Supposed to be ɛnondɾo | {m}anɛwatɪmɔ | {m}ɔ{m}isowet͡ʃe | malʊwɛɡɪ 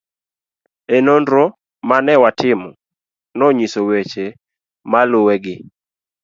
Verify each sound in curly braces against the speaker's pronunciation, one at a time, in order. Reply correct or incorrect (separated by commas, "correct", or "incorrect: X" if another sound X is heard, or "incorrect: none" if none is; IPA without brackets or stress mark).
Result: correct, incorrect: n, incorrect: ɲ